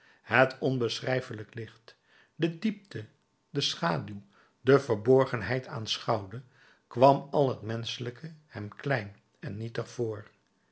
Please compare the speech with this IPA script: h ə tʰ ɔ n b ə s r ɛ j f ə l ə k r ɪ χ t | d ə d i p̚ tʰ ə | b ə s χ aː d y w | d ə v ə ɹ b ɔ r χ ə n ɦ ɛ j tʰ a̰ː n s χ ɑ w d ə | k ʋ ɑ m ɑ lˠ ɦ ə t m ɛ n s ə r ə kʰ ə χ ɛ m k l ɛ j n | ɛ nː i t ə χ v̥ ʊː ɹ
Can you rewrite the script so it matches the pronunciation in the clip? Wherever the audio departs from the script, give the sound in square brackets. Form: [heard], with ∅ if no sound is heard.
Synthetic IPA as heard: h ə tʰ ɔ n b ə s r ɛ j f ə l ə k [l] ɪ χ t | d ə d i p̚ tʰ ə | [d] ə s χ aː d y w | d ə v ə ɹ b ɔ [ɹ] χ ə n ɦ ɛ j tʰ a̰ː n s χ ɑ w d ə | k ʋ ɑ m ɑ lˠ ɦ ə t m ɛ n s ə [l] ə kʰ ə [h] ɛ m k l ɛ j n | ɛ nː i t ə χ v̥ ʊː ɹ